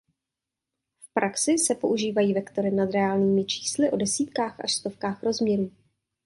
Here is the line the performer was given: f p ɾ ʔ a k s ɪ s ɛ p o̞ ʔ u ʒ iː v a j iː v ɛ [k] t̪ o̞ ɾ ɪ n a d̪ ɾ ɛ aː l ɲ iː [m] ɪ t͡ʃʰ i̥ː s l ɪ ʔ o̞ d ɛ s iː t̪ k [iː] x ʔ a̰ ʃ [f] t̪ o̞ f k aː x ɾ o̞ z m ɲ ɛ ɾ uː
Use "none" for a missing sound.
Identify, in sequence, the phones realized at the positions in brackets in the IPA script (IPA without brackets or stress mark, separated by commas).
k, m, aː, s